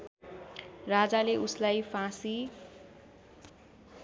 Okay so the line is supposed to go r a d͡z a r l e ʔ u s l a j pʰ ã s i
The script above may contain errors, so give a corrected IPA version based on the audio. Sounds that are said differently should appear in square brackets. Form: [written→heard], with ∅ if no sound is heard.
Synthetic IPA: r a d͡z a [r→∅] l e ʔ u s l a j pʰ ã s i